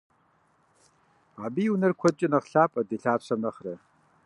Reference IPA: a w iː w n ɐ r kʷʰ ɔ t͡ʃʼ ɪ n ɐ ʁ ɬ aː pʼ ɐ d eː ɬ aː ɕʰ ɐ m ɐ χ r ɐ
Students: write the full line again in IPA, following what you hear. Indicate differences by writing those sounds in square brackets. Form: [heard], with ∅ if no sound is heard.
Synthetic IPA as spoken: a [b] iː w n ɐ r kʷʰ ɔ t͡ʃʼ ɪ n ɐ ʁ ɬ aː pʼ ɐ d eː ɬ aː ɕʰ ɐ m ɐ χ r ɐ